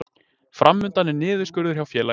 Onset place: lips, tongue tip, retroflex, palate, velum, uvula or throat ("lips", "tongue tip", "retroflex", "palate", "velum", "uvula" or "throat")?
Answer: lips